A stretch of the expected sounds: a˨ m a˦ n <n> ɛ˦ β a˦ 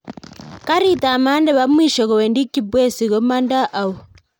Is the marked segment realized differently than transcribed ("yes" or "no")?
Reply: yes